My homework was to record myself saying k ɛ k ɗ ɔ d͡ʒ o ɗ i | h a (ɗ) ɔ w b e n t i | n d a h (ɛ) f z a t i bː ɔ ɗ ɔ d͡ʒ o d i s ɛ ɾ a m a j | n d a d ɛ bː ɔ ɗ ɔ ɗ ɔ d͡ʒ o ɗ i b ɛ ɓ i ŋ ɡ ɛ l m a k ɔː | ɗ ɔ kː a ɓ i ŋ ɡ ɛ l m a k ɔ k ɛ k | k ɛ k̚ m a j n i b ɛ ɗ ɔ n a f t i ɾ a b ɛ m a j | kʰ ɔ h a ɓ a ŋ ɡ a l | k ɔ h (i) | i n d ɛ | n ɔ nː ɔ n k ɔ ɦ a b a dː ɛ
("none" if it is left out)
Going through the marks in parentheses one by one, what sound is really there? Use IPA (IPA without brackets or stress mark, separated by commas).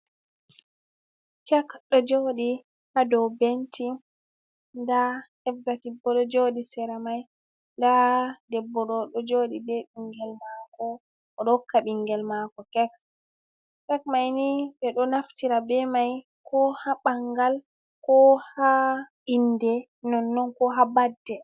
d, ɛ, a